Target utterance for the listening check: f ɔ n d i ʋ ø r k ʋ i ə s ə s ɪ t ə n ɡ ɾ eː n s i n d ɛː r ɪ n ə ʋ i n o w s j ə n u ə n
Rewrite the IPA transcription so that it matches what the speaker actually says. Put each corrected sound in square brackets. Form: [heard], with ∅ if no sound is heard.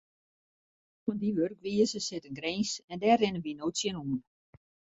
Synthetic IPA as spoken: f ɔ n d i ʋ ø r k ʋ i ə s ə s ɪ t ə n ɡ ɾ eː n s [ɛ] n d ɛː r ɪ n ə ʋ i n o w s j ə n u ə n